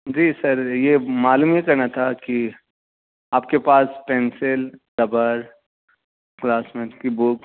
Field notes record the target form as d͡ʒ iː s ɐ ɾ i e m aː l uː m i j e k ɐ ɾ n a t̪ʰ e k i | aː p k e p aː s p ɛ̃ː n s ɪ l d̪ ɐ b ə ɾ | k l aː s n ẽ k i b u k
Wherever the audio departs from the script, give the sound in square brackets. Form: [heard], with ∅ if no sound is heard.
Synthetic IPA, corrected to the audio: d͡ʒ iː s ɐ ɾ [j] e m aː l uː m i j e k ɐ ɾ n a t̪ʰ [a] k i | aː p k e p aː s p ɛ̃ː n s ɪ l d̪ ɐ b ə ɾ | k l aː s [m] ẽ k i b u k